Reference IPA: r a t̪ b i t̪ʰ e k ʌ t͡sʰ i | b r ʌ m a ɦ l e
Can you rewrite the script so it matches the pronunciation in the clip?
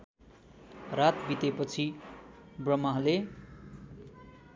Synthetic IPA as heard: r a t̪ b i t̪ e p ʌ t͡sʰ i | b r ʌ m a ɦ l e